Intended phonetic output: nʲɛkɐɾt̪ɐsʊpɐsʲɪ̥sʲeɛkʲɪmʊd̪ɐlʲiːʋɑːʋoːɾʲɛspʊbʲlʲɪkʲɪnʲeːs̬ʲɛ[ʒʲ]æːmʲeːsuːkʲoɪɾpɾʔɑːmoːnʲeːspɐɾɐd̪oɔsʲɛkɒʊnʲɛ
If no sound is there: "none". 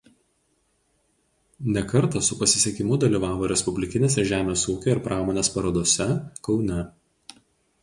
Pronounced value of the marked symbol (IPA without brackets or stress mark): ʒʲ